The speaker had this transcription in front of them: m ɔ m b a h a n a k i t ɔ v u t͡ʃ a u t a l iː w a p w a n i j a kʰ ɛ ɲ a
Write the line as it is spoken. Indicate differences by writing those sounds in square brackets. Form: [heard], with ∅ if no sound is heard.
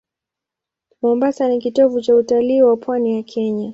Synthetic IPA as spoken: m ɔ m b a [s] a n [i] k i t ɔ v u t͡ʃ a u t a l iː w a p w a n i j a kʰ ɛ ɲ a